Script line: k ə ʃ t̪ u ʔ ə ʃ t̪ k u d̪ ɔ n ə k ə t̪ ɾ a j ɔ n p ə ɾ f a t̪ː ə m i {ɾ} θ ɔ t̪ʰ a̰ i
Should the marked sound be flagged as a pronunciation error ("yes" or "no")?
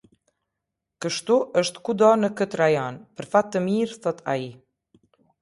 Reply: no